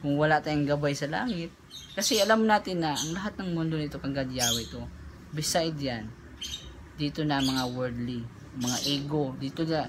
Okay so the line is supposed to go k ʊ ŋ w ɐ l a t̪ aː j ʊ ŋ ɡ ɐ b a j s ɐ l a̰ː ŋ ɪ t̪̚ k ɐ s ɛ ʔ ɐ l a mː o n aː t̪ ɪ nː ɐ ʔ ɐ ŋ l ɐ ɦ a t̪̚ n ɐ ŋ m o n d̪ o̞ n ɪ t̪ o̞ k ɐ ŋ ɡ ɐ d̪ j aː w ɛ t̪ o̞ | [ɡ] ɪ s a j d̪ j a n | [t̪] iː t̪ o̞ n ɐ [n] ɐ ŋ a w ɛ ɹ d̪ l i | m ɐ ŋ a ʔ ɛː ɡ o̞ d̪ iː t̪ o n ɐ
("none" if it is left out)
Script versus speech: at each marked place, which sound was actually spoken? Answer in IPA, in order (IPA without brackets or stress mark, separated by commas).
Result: b, d̪, m